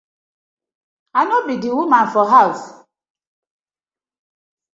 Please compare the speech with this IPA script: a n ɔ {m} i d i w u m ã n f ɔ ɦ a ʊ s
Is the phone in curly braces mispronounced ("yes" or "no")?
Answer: yes